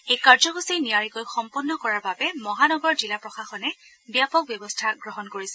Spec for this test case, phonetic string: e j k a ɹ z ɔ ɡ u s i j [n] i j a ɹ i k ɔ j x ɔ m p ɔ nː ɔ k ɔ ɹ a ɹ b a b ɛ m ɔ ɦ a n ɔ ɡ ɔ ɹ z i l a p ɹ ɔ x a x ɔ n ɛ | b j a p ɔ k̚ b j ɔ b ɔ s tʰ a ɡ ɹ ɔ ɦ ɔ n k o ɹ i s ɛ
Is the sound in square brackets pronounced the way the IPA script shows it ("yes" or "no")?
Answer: yes